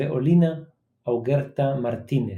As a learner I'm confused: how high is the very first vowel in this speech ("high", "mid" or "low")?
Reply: mid